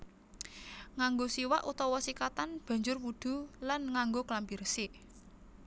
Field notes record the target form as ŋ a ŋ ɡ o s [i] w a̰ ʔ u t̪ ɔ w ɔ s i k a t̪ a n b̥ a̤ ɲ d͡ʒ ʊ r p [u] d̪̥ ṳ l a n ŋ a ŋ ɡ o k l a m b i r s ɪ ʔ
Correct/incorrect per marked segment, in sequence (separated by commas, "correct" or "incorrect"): correct, correct